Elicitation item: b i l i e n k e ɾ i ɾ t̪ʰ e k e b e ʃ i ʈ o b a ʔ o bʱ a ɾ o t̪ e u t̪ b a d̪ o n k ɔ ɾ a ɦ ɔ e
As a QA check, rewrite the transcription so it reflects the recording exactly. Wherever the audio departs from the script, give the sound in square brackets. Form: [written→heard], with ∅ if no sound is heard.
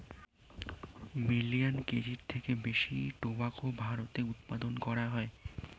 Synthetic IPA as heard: [b→m] i l i [e→a] n k e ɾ i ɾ t̪ʰ e k e b e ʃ i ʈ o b a [ʔ→k] o bʱ a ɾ o t̪ e u t̪ [b→p] a d̪ o n k ɔ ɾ a ɦ ɔ e